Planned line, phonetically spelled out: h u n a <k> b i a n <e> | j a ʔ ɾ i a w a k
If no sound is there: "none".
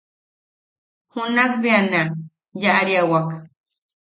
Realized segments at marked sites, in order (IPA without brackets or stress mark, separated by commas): k, a